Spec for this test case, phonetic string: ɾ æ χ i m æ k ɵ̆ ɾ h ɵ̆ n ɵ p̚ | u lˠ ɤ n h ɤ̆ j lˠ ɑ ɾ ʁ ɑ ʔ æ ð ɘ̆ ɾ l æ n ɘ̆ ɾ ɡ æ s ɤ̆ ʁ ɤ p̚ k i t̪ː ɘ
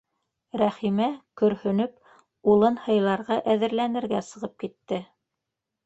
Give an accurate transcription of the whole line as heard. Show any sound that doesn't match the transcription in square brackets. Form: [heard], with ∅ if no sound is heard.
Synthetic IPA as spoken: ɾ æ χ i m æ k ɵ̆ ɾ h ɵ̆ n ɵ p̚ | u lˠ ɤ n h ɤ̆ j lˠ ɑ ɾ ʁ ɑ ʔ æ ð ɘ̆ ɾ l æ n ɘ̆ ɾ ɡ æ s ɤ̆ ʁ ɤ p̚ k i t̪ː ɘ